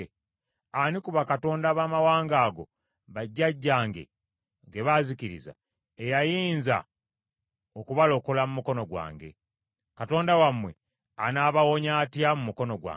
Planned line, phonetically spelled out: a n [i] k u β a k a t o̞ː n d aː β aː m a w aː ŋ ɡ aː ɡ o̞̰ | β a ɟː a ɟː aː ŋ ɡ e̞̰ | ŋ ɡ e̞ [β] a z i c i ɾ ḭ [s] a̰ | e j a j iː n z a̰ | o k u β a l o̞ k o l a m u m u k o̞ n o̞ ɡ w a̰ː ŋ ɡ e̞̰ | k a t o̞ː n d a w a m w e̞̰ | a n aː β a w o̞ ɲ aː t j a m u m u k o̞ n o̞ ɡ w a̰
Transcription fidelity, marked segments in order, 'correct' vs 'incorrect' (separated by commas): correct, correct, incorrect